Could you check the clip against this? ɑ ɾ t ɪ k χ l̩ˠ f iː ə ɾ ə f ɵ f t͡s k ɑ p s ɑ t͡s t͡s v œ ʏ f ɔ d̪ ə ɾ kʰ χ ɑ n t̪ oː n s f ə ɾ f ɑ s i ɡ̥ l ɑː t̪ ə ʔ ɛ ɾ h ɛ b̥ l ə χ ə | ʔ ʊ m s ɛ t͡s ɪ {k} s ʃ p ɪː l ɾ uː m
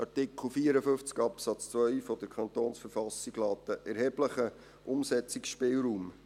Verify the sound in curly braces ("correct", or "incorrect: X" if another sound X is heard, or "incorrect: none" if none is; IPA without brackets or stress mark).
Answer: correct